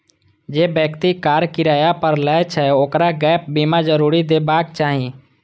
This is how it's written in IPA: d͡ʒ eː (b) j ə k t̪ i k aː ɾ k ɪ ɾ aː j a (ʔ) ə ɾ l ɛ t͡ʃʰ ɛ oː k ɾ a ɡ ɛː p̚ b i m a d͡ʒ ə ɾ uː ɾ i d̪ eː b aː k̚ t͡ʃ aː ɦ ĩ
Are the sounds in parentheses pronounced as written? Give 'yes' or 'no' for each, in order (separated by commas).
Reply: yes, no